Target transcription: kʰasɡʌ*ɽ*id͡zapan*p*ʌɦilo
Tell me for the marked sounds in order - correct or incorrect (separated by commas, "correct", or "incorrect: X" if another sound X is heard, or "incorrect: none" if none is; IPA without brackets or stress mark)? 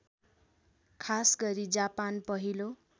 incorrect: ɾ, correct